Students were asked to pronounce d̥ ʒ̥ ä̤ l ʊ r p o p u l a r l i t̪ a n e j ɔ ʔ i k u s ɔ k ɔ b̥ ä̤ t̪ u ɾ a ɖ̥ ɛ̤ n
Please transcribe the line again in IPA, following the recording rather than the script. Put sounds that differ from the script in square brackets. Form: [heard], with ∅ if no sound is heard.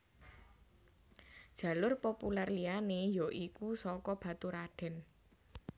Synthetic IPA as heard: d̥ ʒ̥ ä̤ l ʊ r p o p u l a r l i [∅] a n e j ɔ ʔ i k u s ɔ k ɔ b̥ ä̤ t̪ u ɾ a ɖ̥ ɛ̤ n